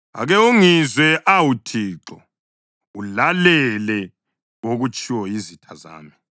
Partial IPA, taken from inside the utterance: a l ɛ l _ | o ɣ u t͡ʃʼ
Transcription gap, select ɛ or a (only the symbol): ɛ